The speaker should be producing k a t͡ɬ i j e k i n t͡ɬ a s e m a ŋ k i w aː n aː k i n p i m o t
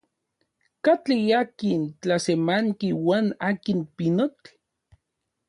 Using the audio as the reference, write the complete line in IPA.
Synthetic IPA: k a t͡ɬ i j a k i n t͡ɬ a s e m a ŋ k i w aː n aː k i n p i n o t

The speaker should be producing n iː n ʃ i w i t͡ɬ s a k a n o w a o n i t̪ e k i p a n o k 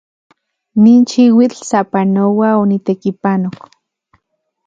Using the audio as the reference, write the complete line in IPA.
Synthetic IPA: n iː n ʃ i w i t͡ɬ s a p a n o w a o n i t̪ e k i p a n o k

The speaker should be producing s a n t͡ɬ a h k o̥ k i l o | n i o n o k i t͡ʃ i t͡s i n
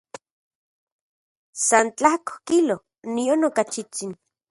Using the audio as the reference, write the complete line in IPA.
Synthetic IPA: s a n t͡ɬ a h k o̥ k i l o | n i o n o k a t͡ʃ i t͡s i n

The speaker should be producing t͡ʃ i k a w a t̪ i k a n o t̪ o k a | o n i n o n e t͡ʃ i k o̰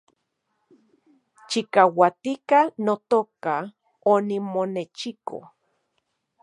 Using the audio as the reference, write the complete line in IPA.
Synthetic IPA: t͡ʃ i k a w a t̪ i k a n o t̪ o k a | o n i m o n e t͡ʃ i k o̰

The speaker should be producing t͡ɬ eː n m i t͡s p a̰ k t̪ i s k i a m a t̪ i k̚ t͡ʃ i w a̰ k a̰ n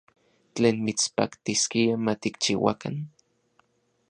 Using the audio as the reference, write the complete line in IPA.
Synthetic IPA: t͡ɬ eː n m i t͡s p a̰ k t̪ i s k i a m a t̪ i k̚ t͡ʃ i w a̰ k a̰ n

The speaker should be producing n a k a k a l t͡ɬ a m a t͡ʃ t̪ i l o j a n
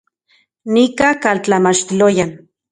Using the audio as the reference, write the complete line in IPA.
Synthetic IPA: n i k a k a l t͡ɬ a m a t͡ʃ t̪ i l o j a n

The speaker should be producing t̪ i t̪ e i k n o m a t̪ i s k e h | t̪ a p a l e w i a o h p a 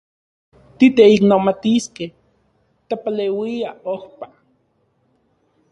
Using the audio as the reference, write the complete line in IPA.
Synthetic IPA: t̪ i t̪ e i k n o m a t̪ i s k e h | t̪ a p a l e w i a o h p a

